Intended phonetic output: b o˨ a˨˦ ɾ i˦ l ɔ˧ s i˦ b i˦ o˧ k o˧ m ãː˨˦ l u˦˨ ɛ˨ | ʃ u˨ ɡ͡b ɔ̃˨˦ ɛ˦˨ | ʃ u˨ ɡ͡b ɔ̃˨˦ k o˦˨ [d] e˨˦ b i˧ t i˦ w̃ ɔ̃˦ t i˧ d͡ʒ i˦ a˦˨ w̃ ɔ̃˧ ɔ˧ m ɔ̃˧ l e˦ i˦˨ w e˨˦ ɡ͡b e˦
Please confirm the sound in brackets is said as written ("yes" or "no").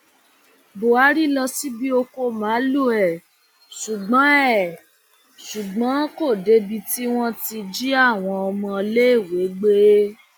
yes